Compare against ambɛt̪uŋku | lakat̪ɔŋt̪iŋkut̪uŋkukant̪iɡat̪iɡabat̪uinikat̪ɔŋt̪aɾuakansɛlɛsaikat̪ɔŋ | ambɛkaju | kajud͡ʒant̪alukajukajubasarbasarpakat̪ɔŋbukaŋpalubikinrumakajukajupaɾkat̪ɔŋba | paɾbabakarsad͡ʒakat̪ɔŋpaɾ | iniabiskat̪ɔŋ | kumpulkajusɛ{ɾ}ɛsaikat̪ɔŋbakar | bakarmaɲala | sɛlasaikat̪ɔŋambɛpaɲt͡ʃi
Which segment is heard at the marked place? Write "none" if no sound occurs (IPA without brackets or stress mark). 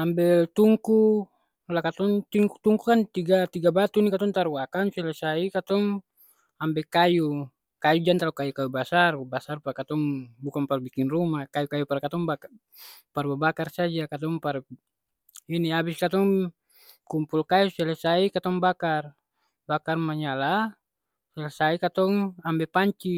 l